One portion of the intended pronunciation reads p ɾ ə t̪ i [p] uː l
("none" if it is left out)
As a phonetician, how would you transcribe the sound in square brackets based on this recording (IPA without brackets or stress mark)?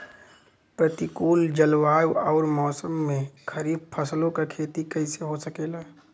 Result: k